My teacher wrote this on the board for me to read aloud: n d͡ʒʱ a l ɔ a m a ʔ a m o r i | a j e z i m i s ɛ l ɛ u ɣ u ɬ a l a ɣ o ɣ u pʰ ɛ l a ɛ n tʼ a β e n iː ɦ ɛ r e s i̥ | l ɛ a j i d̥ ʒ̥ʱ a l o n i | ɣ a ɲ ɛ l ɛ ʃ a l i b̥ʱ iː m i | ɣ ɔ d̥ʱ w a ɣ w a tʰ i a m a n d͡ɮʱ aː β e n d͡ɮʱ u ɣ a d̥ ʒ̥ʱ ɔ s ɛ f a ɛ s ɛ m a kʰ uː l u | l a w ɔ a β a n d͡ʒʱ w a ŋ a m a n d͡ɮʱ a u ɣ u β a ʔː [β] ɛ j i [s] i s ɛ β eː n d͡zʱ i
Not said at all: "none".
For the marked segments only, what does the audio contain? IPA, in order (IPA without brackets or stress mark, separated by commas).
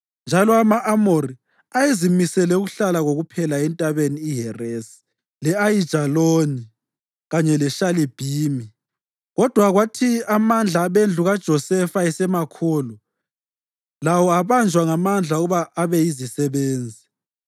β, z